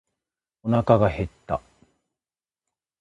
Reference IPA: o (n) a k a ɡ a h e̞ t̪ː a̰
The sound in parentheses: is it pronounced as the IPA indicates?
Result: yes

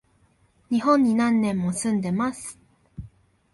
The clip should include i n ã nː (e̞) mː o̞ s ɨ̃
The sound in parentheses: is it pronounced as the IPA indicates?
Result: no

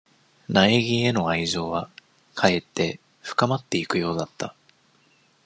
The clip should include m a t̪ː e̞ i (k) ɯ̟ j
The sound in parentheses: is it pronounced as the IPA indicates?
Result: yes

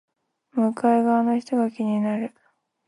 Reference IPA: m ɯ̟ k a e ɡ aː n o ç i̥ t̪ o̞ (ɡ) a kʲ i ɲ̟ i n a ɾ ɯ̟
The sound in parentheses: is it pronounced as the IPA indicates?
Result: yes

